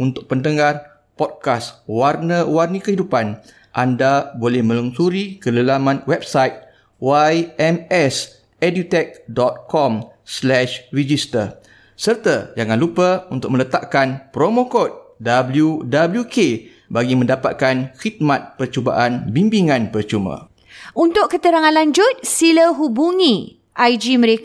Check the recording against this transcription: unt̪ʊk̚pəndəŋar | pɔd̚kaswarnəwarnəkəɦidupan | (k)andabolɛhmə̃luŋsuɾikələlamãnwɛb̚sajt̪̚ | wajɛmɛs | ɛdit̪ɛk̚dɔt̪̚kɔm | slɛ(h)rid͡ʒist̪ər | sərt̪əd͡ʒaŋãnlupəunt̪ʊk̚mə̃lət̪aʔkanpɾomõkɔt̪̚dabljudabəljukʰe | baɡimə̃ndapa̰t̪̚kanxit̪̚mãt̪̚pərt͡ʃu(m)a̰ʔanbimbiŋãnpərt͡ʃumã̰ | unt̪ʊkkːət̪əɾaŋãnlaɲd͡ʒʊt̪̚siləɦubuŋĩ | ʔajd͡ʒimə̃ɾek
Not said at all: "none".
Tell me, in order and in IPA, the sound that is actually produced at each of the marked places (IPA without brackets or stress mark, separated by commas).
ʔ, ʃ, b